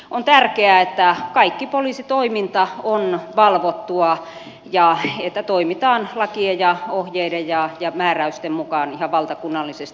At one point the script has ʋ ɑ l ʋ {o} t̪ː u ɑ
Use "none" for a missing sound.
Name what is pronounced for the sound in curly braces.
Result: o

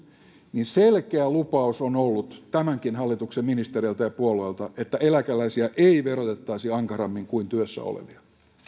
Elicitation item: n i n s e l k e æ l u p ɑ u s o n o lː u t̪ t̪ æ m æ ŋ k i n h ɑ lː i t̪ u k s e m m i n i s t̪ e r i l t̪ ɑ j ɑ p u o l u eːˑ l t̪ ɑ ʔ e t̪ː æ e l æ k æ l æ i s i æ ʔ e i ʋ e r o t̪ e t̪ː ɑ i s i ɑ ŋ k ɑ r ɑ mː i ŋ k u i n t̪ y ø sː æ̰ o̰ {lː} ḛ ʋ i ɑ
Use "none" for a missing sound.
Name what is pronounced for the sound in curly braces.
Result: l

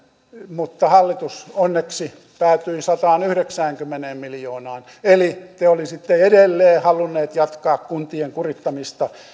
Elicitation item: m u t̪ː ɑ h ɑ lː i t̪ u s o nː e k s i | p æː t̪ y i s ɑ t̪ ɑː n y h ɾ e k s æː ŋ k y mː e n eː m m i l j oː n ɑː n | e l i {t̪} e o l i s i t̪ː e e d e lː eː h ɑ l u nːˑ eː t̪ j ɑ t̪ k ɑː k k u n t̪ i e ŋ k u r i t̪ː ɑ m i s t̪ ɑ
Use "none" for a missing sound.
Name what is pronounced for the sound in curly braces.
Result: t̪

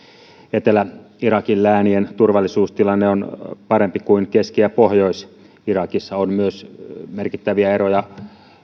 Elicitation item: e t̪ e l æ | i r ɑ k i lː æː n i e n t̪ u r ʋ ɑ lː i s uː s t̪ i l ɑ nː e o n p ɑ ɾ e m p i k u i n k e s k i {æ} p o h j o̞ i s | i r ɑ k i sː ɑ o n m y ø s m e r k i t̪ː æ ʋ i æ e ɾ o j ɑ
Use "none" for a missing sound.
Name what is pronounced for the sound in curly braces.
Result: æ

